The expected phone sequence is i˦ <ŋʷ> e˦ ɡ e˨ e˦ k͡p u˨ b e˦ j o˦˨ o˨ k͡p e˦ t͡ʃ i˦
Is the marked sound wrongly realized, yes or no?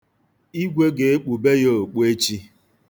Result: yes